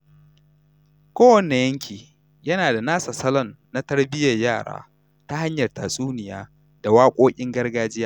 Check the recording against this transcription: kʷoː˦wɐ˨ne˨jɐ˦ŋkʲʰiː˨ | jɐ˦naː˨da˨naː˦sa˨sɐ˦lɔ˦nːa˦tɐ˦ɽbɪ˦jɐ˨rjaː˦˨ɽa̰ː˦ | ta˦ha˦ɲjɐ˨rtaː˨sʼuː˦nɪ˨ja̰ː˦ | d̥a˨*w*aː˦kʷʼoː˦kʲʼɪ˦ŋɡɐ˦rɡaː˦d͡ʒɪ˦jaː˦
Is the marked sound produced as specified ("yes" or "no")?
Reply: yes